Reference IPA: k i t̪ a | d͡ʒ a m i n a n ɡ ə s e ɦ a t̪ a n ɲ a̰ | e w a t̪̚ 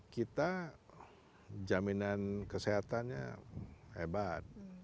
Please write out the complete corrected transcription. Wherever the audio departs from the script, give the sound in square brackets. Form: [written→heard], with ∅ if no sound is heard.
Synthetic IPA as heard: k i t̪ a | d͡ʒ a m i n a n [ɡ→k] ə s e ɦ a t̪ a n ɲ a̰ | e [w→b] a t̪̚